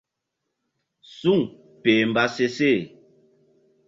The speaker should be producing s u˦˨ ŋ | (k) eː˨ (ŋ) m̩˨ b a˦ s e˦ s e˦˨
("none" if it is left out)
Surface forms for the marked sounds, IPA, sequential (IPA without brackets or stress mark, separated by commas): p, none